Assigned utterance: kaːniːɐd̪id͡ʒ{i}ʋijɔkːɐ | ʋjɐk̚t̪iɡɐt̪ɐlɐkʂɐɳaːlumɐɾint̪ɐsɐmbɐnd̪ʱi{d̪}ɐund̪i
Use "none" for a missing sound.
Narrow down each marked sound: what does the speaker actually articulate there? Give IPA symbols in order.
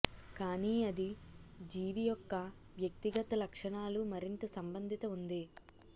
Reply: iː, t̪

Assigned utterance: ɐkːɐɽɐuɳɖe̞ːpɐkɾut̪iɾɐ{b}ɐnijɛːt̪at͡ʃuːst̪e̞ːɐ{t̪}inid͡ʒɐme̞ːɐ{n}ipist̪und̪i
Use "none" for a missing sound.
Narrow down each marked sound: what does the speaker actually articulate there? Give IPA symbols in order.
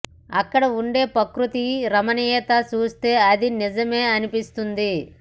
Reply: m, d̪, n

